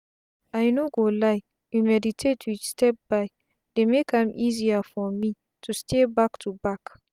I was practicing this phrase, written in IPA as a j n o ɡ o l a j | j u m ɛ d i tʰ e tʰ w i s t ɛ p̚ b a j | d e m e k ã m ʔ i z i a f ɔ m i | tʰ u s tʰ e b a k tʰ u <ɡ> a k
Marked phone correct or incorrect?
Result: incorrect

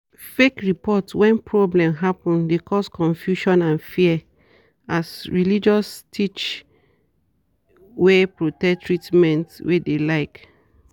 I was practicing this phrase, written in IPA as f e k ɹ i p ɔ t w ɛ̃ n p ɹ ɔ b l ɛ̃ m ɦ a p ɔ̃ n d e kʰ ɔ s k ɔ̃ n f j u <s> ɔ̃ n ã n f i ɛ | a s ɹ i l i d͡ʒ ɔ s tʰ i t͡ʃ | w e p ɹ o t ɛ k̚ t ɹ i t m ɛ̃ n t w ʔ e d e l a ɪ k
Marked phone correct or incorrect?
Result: incorrect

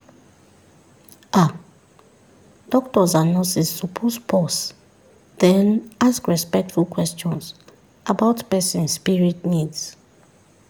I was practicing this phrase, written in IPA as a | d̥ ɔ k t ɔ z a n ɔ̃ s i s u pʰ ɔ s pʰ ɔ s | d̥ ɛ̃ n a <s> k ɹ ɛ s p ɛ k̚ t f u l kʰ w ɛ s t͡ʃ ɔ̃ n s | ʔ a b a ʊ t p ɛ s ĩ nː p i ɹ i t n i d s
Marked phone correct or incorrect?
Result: correct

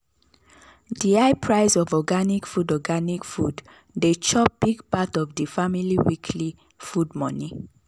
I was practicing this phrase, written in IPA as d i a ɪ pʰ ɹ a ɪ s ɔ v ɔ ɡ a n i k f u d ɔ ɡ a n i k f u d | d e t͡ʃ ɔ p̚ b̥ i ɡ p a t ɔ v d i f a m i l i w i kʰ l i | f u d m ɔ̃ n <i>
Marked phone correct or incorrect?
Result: correct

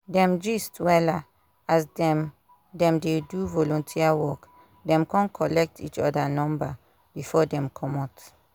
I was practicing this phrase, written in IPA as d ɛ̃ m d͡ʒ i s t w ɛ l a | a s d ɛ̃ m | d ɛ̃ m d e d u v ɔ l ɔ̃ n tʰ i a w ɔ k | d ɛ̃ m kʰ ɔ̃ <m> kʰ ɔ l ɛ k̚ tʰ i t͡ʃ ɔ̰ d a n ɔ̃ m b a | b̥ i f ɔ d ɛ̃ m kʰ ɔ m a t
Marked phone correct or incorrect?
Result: incorrect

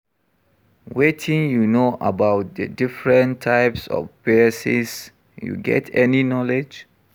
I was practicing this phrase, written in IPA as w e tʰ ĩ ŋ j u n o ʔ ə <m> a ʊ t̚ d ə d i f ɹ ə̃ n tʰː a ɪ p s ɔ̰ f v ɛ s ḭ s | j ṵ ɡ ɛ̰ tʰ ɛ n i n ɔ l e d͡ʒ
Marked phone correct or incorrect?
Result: incorrect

